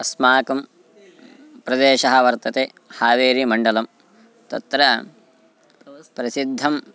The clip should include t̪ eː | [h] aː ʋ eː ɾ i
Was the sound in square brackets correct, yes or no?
yes